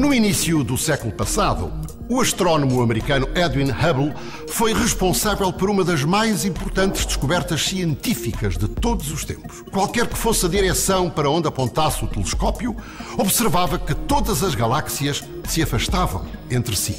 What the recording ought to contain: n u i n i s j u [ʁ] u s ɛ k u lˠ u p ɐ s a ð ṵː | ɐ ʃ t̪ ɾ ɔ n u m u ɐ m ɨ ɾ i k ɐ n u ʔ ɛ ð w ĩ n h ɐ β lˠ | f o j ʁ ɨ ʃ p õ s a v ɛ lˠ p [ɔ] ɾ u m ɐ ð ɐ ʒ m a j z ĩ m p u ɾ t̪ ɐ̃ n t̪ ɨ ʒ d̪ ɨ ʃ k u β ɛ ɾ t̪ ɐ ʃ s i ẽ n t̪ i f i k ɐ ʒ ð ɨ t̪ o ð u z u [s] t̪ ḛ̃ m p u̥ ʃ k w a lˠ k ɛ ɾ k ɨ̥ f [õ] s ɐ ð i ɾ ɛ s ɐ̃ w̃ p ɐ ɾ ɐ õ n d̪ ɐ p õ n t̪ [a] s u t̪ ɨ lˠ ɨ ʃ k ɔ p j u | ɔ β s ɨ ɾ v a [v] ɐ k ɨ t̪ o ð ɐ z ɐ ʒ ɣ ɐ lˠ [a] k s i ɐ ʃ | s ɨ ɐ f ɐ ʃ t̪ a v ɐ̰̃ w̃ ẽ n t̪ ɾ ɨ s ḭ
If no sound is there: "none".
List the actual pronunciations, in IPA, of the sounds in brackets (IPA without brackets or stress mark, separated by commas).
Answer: ð, ɔ, ʃ, o, a, v, a